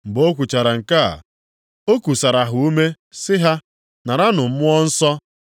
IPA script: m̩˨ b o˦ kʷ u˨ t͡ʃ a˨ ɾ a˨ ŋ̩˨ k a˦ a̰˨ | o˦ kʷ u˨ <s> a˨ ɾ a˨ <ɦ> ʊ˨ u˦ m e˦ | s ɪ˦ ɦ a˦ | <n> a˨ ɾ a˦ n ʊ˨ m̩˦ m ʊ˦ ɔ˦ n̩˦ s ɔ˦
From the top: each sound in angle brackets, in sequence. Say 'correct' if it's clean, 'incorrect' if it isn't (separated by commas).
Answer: correct, correct, correct